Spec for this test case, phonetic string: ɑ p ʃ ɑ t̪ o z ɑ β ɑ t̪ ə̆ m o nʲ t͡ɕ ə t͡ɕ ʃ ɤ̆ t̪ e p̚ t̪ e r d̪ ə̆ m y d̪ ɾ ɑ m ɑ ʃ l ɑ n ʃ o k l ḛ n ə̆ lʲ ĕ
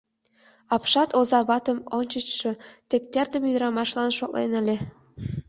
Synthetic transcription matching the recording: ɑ p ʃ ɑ t̪ o z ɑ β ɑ t̪ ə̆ m o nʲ t͡ɕ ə t͡ɕ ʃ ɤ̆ t̪ e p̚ t̪ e r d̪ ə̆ m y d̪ ɾ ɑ m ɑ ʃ l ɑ n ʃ o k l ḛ n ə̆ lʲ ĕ